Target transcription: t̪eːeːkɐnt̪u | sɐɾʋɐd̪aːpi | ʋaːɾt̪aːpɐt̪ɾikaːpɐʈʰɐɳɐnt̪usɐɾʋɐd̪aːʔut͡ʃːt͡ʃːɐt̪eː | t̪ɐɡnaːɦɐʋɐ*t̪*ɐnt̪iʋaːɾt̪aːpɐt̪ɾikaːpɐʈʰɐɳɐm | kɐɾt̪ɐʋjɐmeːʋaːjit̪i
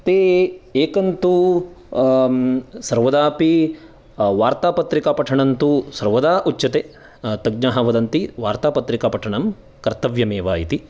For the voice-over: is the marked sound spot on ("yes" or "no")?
no